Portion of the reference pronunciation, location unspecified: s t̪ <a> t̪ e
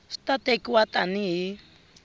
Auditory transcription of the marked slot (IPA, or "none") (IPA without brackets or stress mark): a